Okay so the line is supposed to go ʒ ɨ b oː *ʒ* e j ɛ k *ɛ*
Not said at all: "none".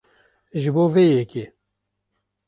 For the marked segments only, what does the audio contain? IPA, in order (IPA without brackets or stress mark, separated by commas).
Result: v, e